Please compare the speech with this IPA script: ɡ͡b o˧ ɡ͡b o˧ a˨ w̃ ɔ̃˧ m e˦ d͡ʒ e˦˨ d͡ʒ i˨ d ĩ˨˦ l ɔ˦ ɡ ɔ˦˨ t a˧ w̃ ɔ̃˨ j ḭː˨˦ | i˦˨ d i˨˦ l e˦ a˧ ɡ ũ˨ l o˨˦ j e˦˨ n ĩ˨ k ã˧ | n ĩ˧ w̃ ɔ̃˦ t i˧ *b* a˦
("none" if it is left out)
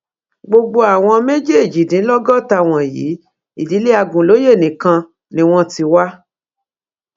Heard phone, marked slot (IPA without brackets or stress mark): w